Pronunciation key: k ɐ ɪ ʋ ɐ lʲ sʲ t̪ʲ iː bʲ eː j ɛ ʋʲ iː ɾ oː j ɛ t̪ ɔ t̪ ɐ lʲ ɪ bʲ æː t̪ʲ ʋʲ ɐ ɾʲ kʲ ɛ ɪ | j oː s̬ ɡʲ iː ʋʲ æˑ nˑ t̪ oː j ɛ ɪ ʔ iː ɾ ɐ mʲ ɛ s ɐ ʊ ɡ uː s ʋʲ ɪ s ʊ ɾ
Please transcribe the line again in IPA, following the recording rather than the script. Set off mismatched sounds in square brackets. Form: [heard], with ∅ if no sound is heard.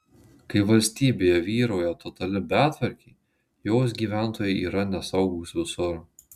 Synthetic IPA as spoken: k ɐ ɪ ʋ ɐ lʲ sʲ t̪ʲ iː bʲ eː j ɛ ʋʲ iː ɾ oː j ɛ t̪ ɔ t̪ ɐ lʲ ɪ bʲ æː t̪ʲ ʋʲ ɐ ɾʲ kʲ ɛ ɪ | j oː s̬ ɡʲ iː ʋʲ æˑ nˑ t̪ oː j ɛ ɪ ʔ iː ɾ ɐ [nʲ] ɛ s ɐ ʊ ɡ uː s ʋʲ ɪ s ʊ ɾ